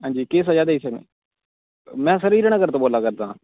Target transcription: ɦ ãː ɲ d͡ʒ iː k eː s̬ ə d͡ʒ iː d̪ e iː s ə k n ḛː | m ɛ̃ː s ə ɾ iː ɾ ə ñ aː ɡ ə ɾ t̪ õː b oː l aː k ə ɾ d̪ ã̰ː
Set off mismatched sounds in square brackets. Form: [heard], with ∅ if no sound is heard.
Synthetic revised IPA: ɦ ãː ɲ d͡ʒ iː k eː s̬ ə d͡ʒ [aː] d̪ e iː s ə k n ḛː | m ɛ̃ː s ə ɾ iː ɾ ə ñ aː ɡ ə ɾ t̪ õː b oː l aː k ə ɾ d̪ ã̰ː